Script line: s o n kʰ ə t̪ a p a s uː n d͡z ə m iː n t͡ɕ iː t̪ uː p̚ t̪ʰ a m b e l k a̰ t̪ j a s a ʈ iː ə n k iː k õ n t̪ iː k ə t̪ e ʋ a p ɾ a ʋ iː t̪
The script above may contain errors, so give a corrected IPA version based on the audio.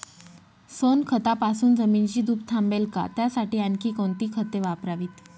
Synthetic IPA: s o n kʰ ə t̪ a p a s uː n d͡z ə m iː n t͡ɕ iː d̪ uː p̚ t̪ʰ a m b e l k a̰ t̪ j a s a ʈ iː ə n k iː k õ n t̪ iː kʰ ə t̪ e ʋ a p ɾ a ʋ iː t̪